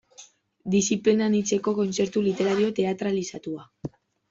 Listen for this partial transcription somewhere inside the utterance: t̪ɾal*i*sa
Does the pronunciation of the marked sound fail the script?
no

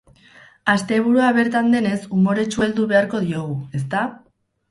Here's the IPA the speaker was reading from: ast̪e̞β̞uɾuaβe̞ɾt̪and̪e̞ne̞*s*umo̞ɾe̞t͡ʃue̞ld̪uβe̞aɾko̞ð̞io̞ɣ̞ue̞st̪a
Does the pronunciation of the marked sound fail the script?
no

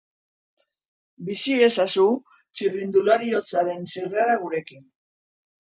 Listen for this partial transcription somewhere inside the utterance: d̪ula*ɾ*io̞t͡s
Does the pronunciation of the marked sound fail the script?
no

